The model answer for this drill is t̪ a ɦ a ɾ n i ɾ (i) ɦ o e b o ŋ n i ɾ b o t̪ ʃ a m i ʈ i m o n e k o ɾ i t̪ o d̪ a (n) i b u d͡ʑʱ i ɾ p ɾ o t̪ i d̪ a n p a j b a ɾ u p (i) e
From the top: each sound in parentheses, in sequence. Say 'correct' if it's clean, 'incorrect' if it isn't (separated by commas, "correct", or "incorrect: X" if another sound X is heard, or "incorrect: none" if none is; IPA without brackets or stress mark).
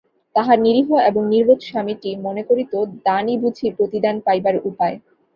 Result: correct, correct, incorrect: a